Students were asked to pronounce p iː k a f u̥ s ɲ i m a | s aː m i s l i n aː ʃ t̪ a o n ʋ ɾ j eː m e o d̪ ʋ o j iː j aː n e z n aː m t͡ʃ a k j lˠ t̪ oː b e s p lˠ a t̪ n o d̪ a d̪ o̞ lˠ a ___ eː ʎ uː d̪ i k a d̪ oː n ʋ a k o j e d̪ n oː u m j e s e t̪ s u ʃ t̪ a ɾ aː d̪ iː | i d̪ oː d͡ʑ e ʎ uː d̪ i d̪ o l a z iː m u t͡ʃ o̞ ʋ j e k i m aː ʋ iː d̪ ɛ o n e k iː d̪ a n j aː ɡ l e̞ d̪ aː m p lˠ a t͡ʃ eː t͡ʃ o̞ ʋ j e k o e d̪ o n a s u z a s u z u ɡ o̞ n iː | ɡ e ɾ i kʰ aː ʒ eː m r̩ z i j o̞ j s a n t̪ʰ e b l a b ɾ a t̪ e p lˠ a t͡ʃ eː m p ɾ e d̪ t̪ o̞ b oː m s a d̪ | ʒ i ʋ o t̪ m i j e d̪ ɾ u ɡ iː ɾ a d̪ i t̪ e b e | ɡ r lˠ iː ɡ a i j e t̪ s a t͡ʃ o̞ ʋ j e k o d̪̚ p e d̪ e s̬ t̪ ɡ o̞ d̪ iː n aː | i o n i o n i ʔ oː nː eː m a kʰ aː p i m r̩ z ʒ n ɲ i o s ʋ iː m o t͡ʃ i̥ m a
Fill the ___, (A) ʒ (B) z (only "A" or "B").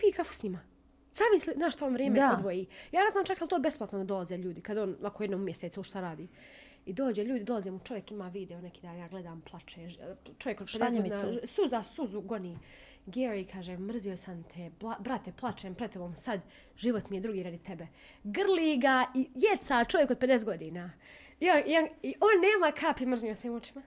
B